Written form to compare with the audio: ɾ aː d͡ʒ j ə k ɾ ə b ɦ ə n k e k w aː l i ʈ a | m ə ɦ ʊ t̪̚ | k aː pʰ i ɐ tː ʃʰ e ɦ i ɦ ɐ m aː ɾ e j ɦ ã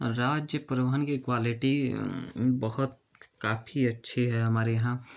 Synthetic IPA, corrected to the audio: ɾ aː d͡ʒ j ə p ɾ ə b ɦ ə n k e k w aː l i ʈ i | b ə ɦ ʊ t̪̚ | k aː pʰ i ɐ tː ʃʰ e ɦ ɛ ɦ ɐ m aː ɾ e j ɦ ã